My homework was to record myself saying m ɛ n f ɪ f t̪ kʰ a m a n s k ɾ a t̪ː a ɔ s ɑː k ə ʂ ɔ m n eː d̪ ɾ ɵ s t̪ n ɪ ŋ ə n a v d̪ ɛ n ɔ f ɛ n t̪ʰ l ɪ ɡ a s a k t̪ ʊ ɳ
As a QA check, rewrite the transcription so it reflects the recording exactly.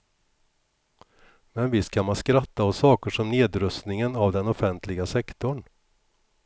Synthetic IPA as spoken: m ɛ n v ɪ s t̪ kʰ a m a n s k ɾ a t̪ː a ɔ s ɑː k ə ʂ ɔ m n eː d̪ ɾ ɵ s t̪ n ɪ ŋ ə n a v d̪ ɛ n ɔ f ɛ n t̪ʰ l ɪ ɡ a s ɛ k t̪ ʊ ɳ